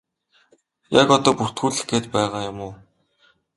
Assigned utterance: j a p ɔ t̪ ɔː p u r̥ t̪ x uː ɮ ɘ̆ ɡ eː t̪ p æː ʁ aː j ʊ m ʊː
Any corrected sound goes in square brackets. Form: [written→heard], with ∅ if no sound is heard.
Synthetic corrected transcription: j a [p→k] ɔ t̪ ɔː p u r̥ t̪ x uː ɮ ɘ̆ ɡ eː t̪ p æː ʁ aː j ʊ m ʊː

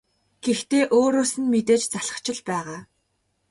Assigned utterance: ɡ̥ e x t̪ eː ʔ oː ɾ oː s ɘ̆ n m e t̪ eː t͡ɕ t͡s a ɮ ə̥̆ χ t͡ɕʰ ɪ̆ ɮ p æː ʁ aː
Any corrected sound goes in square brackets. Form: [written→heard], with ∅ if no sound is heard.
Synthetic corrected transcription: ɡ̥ e x t̪ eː ʔ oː ɾ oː s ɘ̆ n m e t̪ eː t͡ɕ t͡s a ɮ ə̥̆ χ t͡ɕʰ ɪ̆ ɮ p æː ʁ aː

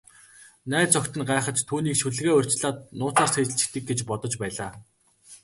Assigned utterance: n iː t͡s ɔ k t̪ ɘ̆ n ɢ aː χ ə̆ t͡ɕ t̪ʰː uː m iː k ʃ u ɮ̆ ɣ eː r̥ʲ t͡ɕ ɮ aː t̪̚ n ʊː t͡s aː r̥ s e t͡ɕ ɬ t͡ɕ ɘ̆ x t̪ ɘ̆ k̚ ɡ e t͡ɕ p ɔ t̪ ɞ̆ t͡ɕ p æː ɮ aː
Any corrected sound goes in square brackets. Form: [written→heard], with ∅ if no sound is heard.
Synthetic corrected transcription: n [iː→æː] t͡s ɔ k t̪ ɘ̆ n ɢ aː χ ə̆ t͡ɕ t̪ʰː uː [m→n] iː k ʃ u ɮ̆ ɣ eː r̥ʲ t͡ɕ ɮ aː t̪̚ n ʊː t͡s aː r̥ s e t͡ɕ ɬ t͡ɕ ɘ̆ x t̪ ɘ̆ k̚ ɡ e t͡ɕ p ɔ t̪ ɞ̆ t͡ɕ p æː ɮ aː

